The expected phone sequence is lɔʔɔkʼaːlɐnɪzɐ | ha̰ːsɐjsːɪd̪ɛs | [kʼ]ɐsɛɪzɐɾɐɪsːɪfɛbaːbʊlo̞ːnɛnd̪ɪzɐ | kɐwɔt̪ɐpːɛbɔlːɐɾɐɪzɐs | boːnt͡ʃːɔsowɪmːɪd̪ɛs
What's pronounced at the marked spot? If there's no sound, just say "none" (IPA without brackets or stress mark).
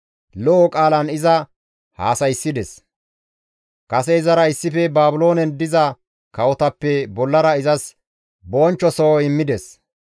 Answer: k